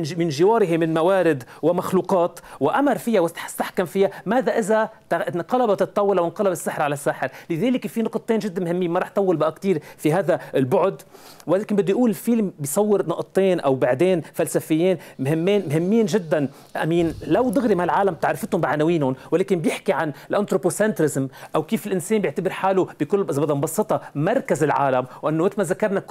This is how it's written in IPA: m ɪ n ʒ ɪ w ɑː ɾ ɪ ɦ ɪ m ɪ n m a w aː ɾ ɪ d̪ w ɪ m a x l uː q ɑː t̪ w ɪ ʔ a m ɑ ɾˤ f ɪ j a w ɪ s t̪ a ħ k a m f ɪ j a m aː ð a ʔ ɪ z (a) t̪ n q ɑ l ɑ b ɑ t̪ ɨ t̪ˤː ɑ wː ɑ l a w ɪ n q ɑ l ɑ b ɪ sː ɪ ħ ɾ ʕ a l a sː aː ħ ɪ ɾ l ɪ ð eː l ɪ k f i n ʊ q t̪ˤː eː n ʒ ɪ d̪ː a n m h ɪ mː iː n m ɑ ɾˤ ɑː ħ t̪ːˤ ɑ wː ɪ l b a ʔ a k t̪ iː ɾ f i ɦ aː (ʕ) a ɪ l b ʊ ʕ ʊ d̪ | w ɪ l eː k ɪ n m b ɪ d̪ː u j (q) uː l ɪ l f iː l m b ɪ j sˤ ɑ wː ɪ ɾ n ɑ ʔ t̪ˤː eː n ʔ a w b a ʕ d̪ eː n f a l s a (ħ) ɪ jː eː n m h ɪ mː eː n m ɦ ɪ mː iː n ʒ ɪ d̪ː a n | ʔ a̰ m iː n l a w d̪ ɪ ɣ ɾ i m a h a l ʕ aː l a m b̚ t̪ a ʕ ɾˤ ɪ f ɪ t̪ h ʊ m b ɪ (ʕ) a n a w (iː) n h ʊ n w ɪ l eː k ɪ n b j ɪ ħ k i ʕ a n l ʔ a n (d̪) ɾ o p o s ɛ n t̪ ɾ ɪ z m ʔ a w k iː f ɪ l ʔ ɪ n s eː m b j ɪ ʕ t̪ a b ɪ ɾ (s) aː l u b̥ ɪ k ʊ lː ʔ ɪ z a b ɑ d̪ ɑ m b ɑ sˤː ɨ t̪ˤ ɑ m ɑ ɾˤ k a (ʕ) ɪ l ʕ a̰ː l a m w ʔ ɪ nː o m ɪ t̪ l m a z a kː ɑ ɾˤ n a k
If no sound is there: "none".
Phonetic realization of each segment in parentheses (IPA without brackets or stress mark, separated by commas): a, ð, ʔ, f, ʕ, iː, t̪, ħ, z